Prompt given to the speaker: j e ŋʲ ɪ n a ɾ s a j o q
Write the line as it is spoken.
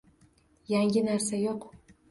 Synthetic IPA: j a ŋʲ ɪ n a ɾ s a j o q